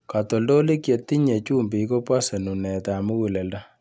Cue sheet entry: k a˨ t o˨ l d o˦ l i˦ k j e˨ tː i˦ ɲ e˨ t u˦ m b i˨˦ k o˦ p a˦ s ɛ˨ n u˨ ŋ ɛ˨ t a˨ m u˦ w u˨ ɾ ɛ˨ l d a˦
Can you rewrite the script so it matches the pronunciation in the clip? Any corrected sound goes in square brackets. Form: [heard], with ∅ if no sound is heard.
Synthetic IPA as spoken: k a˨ t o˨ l d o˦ l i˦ k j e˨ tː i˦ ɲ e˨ [t͡ʃ] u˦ m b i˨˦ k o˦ p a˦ s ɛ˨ n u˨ [n] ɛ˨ t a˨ m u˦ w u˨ [l] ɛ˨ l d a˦

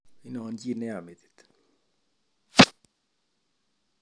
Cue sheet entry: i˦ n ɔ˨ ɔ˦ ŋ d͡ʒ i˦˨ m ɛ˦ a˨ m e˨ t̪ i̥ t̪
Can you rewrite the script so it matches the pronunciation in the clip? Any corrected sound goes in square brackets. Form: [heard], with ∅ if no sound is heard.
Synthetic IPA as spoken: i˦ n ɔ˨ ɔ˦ [n] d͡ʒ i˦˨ [n] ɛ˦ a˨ m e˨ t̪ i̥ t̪

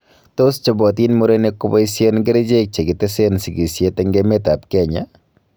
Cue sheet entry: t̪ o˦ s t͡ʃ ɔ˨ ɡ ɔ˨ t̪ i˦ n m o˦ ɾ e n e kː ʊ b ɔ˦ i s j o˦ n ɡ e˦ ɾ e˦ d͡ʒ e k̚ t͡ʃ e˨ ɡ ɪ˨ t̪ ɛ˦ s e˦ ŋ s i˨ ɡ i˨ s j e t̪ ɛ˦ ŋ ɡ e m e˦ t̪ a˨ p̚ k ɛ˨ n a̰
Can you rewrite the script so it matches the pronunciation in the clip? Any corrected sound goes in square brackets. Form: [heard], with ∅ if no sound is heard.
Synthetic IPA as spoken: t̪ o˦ s t͡ʃ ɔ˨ [b] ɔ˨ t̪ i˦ n m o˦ ɾ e n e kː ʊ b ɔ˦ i s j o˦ n ɡ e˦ ɾ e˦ d͡ʒ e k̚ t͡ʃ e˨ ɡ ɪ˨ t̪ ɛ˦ s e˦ [n] s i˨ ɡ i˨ s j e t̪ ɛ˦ ŋ ɡ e m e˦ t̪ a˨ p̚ k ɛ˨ [ɲ] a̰

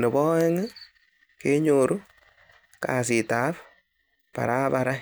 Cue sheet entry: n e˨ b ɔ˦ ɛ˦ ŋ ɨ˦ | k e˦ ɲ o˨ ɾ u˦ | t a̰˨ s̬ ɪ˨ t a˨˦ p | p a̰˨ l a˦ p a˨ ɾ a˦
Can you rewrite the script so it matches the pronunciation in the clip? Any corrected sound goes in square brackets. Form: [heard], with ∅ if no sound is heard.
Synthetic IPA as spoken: n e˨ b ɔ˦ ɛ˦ ŋ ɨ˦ | k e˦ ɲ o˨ ɾ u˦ | [k] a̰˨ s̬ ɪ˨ t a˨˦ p | p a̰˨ [ɾ] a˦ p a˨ ɾ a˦

